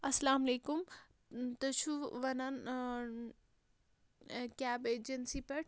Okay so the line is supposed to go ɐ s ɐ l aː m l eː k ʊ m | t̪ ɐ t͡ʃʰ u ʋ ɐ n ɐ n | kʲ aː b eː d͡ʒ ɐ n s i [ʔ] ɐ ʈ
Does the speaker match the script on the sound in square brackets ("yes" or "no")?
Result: no